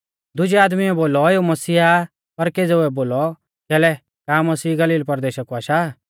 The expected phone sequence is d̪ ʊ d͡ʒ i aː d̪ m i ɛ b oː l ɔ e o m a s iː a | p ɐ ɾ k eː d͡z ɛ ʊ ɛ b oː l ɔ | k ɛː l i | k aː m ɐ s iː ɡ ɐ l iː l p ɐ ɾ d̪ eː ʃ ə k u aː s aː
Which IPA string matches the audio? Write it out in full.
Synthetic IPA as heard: d̪ ʊ d͡ʒ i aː d̪ m i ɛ b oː l ɔ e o m ɐ s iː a | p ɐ ɾ k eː d͡z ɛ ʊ ɛ b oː l ɔ | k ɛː l ɛ | k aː m ɐ s iː ɡ ɐ l iː l p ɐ ɾ d̪ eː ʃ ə k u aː ʃ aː